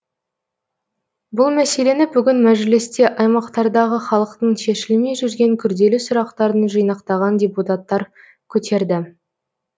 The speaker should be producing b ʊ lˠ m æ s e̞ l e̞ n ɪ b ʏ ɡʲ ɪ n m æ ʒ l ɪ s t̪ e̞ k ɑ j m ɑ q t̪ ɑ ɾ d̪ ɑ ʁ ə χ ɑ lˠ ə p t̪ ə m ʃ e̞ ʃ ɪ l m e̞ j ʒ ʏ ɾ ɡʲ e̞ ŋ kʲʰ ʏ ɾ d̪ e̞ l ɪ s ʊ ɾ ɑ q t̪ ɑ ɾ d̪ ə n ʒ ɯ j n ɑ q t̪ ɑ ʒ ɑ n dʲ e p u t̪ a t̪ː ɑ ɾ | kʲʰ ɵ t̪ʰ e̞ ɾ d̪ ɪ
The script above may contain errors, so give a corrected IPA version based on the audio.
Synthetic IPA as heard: b ʊ lˠ m æ s e̞ l e̞ n ɪ b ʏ ɡʲ ɪ n m æ ʒ l ɪ s t̪ e̞ ʔ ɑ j m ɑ q t̪ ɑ ɾ d̪ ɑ ʁ ə χ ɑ lˠ ə q t̪ ə ɴ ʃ e̞ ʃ ɪ l m e̞ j ʒ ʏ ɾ ɡʲ e̞ ŋ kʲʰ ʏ ɾ d̪ e̞ l ɪ s ʊ ɾ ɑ q t̪ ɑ ɾ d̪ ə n ʒ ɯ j n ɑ q t̪ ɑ ʁ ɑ n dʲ e p u t̪ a t̪ː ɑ ɾ | kʲʰ ɵ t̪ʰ e̞ ɾ d̪ ɪ